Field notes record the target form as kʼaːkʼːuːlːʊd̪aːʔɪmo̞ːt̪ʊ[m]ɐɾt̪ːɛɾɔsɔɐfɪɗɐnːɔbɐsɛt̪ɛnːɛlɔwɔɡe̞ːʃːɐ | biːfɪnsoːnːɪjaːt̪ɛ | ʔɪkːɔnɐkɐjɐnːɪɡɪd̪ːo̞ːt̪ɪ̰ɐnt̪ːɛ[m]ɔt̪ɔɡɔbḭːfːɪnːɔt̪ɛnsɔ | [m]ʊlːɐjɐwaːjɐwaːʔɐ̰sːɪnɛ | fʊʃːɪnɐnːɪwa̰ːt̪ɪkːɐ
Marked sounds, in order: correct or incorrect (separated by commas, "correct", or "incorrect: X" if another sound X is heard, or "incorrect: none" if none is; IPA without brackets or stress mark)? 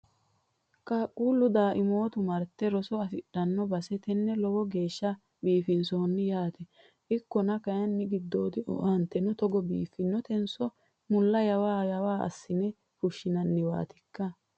correct, incorrect: n, correct